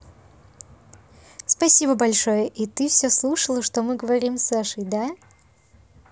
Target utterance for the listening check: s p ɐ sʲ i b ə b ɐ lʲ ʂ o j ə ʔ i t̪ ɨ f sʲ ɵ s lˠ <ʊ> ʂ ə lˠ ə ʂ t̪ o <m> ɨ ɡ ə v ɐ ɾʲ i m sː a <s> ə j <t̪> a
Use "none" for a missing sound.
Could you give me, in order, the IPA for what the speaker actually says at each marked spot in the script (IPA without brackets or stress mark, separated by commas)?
u, m, ʂ, d̪